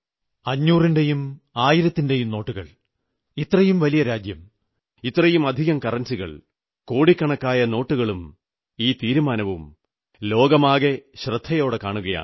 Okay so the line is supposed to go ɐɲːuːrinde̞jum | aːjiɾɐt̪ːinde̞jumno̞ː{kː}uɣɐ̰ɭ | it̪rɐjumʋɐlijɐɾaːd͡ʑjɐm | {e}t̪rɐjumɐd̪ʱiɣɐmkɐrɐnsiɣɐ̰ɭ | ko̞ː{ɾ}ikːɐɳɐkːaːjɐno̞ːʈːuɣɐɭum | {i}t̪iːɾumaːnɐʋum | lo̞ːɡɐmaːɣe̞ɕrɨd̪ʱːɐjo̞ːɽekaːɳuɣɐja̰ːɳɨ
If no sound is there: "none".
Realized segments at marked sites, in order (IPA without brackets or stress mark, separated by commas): ʈː, i, ɽ, iː